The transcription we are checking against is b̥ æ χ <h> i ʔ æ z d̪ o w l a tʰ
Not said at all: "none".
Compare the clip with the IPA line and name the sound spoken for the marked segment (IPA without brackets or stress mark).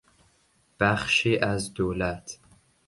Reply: ʃ